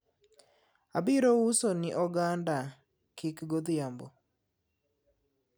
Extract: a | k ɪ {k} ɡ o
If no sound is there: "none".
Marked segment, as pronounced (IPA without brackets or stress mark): k